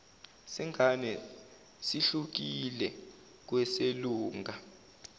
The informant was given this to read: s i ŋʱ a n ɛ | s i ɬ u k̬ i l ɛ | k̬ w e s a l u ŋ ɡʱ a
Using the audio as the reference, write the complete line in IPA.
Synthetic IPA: s i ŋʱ a n ɛ | s i ɬ u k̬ i l ɛ | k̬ w ɛ s e l uː ŋ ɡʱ a